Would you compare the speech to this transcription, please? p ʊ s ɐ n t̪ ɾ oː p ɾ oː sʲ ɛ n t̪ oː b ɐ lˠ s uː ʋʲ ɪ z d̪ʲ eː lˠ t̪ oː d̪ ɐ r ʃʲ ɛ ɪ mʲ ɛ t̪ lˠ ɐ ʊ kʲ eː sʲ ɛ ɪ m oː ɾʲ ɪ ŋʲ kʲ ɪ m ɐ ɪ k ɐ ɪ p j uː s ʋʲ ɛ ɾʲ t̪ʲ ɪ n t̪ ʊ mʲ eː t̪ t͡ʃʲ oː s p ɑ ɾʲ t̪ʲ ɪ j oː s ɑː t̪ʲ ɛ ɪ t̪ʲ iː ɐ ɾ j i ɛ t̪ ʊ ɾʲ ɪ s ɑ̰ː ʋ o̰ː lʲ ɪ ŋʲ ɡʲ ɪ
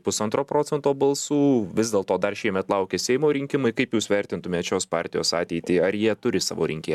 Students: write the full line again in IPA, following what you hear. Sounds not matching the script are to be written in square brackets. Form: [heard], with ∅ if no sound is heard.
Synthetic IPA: p ʊ s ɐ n t̪ ɾ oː p ɾ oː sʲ ɛ n t̪ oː b ɐ lˠ s uː ʋʲ ɪ z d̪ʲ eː lˠ t̪ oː d̪ ɐ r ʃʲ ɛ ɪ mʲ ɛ t̪ lˠ ɐ ʊ kʲ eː sʲ ɛ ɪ m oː ɾʲ ɪ ŋʲ kʲ ɪ m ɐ ɪ k ɐ ɪ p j uː s ʋʲ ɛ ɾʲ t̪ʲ ɪ n t̪ ʊ mʲ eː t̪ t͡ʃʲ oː s p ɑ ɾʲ t̪ʲ ɪ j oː s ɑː t̪ʲ ɛ ɪ t̪ʲ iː ɐ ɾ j i ɛ t̪ ʊ ɾʲ ɪ s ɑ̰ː ʋ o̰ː [ɾʲ] ɪ ŋʲ [kʲ] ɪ